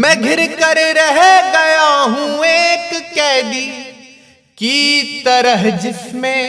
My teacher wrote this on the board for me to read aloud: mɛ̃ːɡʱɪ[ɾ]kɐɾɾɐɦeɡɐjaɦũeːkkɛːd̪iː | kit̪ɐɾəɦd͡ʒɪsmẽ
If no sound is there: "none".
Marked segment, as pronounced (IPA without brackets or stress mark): ɾ